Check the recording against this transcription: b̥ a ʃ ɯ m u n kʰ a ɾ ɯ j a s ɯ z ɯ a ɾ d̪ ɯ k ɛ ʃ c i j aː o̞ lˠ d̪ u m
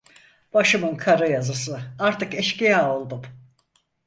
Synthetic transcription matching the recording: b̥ a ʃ ɯ m ɯ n kʰ a ɾ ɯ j a z ɯ s ɯ a ɾ t̪ ɯ k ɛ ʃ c i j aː o̞ lˠ d̪ u m

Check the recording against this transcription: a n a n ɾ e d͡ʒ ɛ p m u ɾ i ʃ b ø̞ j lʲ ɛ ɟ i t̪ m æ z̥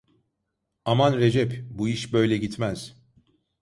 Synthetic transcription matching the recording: a m a n ɾ e d͡ʒ ɛ p b u i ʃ b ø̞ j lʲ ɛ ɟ i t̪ m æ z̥

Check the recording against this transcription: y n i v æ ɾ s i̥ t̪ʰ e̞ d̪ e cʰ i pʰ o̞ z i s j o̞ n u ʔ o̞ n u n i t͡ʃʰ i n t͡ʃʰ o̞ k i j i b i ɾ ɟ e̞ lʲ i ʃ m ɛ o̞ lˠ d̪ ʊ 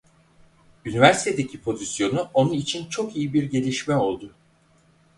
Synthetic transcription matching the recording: y n i v æ ɾ s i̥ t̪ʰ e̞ d̪ e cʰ i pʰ o̞ z i s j o̞ n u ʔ o̞ n u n i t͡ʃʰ i n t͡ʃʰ o̞ k i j i b i ɾ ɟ e̞ lʲ i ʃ m ɛ o̞ lˠ d̪ ʊ

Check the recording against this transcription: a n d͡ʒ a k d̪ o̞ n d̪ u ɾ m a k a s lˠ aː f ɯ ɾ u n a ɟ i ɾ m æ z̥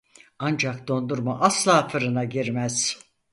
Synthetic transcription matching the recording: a n d͡ʒ a k d̪ o̞ n d̪ u ɾ m a ʔ a s lˠ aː f ɯ ɾ ɯ n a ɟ i ɾ m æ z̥

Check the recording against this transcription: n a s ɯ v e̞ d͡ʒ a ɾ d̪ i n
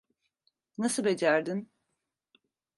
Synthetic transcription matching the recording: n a s ɯ b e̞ d͡ʒ æ ɾ d̪ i n

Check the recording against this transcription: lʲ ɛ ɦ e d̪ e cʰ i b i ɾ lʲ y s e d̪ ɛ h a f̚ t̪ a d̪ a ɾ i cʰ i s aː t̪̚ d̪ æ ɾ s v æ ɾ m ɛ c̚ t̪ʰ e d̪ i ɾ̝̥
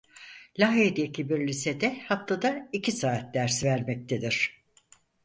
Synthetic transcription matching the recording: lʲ a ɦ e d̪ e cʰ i b i ɾ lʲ i s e d̪ ɛ h a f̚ t̪ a d̪ a i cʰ i s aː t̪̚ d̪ æ ɾ s v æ ɾ m ɛ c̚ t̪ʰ e d̪ i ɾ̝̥

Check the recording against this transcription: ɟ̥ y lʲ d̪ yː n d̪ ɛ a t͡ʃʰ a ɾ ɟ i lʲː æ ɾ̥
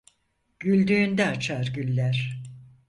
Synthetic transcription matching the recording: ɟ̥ y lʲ d̪ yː n d̪ ɛ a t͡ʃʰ a ɾ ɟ y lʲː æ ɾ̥

